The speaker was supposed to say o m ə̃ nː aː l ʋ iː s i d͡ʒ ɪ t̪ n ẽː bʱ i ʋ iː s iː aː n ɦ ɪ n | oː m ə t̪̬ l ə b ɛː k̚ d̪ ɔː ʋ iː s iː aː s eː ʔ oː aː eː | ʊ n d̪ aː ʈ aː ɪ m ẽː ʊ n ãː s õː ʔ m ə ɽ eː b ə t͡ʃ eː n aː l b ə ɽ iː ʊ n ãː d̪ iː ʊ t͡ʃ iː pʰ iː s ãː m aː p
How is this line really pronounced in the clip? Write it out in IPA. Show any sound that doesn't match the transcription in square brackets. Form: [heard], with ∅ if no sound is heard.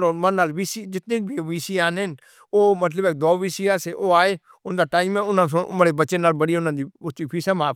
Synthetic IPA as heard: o m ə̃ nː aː l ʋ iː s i d͡ʒ ɪ t̪ n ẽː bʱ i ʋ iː s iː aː n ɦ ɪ n | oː m ə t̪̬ l ə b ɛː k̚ d̪ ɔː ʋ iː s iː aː s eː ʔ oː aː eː | ʊ n d̪ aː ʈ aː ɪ m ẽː ʊ n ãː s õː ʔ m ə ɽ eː b ə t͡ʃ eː n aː l b ə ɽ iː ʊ n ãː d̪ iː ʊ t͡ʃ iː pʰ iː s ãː m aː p

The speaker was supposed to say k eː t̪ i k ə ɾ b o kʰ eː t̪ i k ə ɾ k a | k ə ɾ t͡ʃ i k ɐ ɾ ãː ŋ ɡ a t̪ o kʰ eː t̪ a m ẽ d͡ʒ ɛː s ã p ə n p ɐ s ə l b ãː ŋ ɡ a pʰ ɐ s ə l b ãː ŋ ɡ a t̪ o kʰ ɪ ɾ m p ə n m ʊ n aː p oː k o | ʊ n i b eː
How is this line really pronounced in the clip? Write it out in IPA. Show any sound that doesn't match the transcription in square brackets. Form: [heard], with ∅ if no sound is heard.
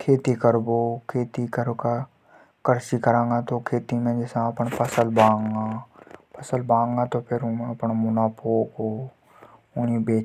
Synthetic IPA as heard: [kʰ] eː t̪ i k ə ɾ b o kʰ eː t̪ i k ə ɾ k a | k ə ɾ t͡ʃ i k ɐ ɾ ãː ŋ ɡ a t̪ o kʰ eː t̪ [i] m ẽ d͡ʒ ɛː s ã p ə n p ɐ s ə l b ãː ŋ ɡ a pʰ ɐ s ə l b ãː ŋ ɡ a t̪ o [pʰ] ɪ ɾ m p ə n m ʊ n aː p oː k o | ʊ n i b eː

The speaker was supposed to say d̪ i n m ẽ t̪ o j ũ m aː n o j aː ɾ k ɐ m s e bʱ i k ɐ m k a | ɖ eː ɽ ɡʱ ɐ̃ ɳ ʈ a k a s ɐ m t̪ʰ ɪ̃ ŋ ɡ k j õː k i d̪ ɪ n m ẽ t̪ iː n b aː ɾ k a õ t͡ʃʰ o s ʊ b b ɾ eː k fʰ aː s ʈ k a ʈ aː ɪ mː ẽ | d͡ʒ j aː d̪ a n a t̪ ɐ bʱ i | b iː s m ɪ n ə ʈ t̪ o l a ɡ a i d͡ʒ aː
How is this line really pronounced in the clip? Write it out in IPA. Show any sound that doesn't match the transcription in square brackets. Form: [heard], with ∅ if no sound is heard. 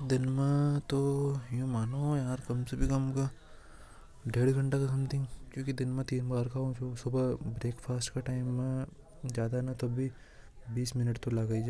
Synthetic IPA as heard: d̪ [ɪ] n m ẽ t̪ o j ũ m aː n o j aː ɾ k ɐ m s e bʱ i k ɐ m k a | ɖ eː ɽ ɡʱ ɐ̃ ɳ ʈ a k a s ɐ m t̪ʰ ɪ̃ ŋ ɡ k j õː k i d̪ ɪ n m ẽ t̪ iː n b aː ɾ k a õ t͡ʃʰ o s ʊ b b ɾ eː k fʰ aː s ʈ k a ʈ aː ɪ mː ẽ | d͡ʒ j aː d̪ a n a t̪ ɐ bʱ i | b iː s m ɪ n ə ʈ t̪ o l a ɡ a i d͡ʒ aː

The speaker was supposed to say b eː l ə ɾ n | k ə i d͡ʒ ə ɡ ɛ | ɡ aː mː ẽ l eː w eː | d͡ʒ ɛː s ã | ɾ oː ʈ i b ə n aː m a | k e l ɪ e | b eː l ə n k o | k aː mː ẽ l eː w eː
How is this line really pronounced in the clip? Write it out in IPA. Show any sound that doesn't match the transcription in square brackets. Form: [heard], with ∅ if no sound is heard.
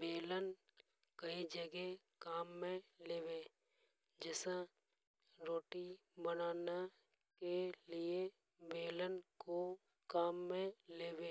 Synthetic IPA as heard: b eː l ə [∅] n | k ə i d͡ʒ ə ɡ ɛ | [k] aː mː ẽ l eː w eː | d͡ʒ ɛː s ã | ɾ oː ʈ i b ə n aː [n] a | k e l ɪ e | b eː l ə n k o | k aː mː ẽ l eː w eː

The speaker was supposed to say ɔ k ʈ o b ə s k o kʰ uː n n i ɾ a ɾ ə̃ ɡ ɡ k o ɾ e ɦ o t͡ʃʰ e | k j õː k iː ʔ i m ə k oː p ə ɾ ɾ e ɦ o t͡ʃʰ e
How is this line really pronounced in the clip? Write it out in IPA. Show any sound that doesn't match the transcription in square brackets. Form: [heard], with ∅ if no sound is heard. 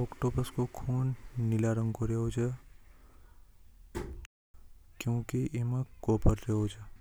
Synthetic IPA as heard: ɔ k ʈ o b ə s k o kʰ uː n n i [l] a ɾ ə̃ [ŋ] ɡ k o ɾ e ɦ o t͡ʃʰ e | k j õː k [i] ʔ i m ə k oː p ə ɾ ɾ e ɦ o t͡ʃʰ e

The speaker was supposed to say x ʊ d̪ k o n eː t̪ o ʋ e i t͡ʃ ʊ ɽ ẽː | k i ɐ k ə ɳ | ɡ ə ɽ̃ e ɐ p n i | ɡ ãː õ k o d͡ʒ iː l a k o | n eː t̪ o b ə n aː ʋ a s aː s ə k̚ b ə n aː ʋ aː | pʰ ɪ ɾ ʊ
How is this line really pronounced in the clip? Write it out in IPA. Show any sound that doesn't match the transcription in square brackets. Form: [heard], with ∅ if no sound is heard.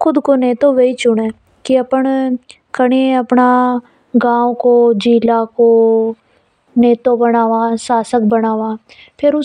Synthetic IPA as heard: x ʊ d̪ k o n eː t̪ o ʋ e i t͡ʃ ʊ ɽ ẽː | k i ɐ [p] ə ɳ | [k] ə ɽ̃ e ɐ p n [a] | ɡ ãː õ k o d͡ʒ iː l a k o | n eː t̪ o b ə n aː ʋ a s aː s ə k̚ b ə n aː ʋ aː | pʰ ɪ ɾ ʊ

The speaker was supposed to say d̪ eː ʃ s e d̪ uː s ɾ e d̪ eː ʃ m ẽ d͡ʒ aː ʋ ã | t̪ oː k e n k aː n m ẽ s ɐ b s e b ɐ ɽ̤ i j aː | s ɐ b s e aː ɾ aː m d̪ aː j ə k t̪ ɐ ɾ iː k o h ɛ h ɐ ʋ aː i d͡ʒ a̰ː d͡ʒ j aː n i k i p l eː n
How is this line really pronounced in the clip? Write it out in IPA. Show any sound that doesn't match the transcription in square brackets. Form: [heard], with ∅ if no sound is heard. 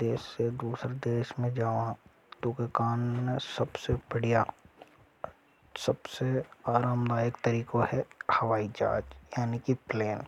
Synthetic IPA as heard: d̪ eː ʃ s e d̪ uː s ɾ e d̪ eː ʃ m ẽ d͡ʒ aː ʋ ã | t̪ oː k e [∅] k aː n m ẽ s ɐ b s e b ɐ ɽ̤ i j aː | s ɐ b s e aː ɾ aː m d̪ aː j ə k t̪ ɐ ɾ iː k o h ɛ h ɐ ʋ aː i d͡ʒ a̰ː d͡ʒ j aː n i k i p l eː n

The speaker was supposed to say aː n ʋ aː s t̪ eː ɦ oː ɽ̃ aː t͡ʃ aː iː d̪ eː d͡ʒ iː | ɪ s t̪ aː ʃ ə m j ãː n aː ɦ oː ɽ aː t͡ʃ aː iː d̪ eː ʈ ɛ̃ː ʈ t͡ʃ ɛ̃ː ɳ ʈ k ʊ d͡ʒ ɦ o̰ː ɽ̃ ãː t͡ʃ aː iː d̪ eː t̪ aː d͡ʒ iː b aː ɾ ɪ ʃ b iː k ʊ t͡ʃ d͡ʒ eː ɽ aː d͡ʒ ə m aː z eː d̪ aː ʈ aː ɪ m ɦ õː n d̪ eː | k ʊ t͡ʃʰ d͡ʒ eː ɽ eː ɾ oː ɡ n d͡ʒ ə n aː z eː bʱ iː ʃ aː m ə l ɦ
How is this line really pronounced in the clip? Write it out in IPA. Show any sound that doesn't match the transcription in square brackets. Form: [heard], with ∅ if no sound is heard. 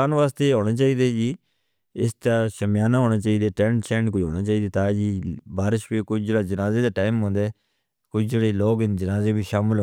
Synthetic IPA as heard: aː n ʋ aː s t̪ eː ɦ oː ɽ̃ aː t͡ʃ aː iː d̪ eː d͡ʒ iː | ɪ s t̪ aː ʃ ə m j [aː] n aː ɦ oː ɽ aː t͡ʃ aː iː d̪ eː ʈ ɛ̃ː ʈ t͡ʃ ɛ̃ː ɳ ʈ k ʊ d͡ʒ ɦ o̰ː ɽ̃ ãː t͡ʃ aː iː d̪ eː t̪ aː d͡ʒ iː b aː ɾ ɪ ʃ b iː k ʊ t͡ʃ d͡ʒ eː ɽ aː d͡ʒ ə [n] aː z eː d̪ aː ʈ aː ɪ m ɦ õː n d̪ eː | k ʊ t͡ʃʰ d͡ʒ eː ɽ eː [l] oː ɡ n d͡ʒ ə n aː z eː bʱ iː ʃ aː m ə l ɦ

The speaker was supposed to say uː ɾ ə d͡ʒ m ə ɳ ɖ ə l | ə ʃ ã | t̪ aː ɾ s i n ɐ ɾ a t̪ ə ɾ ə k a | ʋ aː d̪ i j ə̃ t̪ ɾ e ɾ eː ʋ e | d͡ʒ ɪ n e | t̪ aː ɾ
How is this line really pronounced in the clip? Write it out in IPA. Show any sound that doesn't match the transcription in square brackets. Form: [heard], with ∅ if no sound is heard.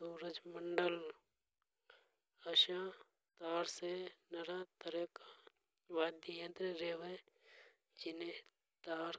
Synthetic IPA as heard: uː ɾ ə d͡ʒ m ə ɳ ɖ ə l | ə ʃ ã | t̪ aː ɾ s [e] n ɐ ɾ a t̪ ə ɾ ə k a | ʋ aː d̪ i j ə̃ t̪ ɾ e ɾ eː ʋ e | d͡ʒ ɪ n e | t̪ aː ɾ

